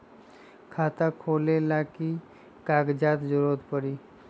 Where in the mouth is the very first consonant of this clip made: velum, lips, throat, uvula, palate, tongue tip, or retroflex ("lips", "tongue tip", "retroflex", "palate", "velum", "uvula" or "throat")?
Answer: velum